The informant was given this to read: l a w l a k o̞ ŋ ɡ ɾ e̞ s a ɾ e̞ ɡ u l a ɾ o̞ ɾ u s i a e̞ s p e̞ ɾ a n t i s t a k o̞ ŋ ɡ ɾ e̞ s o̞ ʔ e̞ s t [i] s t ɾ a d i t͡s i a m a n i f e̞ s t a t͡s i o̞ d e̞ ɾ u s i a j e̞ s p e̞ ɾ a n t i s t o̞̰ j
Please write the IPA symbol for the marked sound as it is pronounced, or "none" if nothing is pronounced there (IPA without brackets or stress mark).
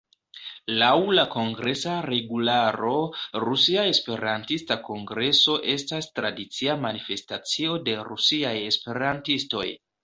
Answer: a